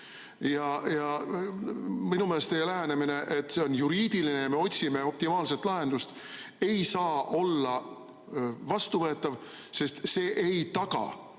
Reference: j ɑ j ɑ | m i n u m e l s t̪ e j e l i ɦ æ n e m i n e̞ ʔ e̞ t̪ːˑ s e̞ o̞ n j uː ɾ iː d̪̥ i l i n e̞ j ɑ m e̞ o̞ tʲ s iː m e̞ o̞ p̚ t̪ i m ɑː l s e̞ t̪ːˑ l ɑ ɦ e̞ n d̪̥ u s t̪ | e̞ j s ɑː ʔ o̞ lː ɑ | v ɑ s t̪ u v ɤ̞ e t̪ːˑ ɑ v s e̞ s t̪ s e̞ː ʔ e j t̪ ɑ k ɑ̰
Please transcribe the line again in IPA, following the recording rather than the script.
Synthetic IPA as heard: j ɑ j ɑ | m i n u m e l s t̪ e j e l æ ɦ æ n e m i n e̞ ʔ e̞ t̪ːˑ s e̞ o̞ n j u ɾ iː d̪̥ i l i n e̞ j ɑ m e̞ o̞ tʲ s i m e̞ o̞ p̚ t̪ i m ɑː l s e̞ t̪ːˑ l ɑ ɦ e̞ n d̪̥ u s t̪ | e̞ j s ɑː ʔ o̞ lː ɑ | v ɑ s t̪ u v ɤ̞ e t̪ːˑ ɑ v s e̞ s t̪ s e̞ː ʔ e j t̪ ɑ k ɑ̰